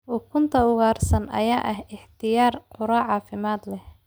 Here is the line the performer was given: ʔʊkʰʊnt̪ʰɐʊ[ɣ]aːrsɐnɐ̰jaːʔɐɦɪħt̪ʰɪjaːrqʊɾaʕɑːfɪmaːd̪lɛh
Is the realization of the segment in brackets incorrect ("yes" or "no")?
no